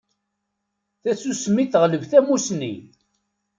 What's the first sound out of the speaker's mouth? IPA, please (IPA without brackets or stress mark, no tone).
θ